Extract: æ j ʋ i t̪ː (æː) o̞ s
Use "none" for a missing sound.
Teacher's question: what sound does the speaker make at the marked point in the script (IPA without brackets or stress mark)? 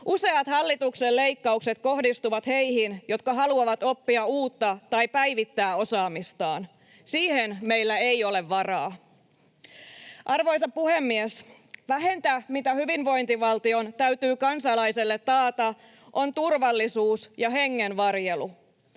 æː